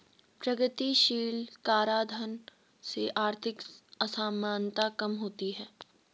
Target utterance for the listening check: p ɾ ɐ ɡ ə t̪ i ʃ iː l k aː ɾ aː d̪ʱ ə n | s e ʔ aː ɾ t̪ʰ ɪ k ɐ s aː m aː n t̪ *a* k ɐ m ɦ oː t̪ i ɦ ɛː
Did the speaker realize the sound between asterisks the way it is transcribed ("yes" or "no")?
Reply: yes